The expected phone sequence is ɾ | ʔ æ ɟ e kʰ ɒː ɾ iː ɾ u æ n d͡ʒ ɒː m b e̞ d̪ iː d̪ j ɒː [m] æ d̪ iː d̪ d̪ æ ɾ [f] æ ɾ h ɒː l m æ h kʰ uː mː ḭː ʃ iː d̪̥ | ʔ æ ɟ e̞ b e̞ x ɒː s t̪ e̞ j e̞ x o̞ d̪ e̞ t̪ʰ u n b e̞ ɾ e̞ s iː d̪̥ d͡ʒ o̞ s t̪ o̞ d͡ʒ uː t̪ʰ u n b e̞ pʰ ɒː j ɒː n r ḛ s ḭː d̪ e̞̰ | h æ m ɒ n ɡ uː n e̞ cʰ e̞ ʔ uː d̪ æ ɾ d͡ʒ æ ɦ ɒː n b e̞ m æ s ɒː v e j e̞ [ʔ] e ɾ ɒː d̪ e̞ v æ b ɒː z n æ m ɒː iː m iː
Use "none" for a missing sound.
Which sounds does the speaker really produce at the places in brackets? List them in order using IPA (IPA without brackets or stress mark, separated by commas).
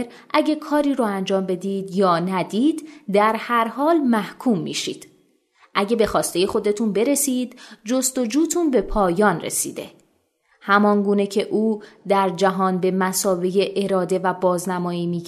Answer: n, h, ʔ